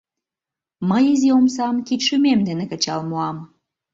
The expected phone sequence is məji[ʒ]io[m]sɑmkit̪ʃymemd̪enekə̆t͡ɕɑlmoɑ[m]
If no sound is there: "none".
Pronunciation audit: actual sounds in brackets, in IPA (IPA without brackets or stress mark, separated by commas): z, m, m